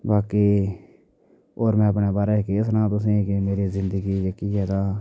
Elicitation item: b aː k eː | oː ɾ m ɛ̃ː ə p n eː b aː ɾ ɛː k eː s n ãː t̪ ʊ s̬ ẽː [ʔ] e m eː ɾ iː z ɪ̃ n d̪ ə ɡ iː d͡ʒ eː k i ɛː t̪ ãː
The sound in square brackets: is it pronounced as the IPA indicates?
no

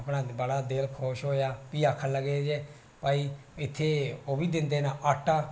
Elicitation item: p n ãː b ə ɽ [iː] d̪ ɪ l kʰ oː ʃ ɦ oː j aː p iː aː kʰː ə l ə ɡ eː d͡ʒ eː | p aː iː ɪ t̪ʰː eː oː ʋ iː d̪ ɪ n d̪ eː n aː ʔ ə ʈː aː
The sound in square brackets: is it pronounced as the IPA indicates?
no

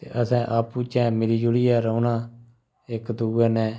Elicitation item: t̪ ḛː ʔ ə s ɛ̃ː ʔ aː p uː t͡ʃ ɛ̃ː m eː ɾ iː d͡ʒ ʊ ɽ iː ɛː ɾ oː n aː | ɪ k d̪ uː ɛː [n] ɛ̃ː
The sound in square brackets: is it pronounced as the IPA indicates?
yes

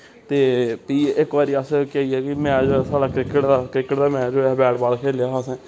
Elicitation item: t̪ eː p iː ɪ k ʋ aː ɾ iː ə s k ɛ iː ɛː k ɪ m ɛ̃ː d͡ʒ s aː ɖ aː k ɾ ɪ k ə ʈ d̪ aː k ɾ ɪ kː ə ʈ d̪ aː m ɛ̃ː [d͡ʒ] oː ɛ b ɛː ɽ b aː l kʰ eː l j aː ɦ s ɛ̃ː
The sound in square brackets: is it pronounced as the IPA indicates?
yes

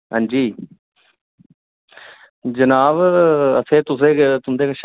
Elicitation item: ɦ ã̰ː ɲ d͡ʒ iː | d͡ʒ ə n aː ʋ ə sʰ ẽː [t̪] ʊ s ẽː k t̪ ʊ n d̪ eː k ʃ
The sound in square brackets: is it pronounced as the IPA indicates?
yes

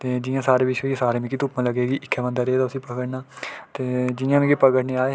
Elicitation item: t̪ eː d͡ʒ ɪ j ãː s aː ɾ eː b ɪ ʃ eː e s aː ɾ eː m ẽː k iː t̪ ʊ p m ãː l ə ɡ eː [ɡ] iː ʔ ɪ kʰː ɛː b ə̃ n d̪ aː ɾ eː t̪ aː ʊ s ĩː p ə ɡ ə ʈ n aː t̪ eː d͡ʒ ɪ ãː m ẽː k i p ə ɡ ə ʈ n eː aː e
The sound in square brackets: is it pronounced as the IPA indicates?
yes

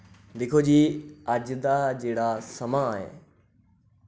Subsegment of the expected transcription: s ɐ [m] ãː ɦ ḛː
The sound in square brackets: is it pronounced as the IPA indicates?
yes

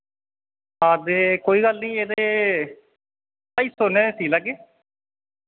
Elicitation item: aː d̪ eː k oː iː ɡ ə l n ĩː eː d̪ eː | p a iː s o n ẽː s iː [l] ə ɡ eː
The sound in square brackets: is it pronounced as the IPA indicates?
yes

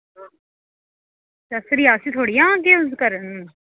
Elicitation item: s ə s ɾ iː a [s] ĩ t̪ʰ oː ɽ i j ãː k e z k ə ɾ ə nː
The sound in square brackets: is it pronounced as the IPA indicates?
yes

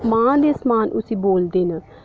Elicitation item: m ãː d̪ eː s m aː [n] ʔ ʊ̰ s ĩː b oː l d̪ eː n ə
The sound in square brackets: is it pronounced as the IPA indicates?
yes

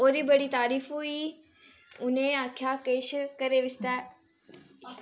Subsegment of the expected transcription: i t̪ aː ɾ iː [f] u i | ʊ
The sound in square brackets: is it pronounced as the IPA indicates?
yes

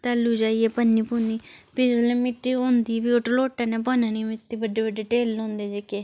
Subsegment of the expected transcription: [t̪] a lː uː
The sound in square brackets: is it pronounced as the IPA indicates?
yes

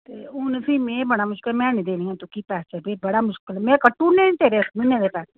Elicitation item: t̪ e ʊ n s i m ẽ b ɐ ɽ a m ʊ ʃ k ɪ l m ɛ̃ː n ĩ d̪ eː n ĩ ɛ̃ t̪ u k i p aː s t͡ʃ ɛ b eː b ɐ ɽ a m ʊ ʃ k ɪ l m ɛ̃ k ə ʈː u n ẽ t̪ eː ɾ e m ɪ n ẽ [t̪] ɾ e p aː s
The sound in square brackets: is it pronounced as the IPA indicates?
no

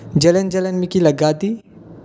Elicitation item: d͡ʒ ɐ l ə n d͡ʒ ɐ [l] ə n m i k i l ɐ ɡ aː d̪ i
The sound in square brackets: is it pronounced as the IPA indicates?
yes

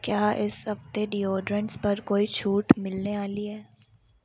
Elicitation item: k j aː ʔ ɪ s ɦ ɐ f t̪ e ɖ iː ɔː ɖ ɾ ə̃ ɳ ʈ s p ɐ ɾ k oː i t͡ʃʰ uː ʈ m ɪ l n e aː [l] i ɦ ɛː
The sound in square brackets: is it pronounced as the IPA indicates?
yes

